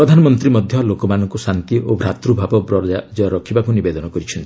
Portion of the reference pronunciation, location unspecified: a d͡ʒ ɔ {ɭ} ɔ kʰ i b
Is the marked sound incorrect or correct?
incorrect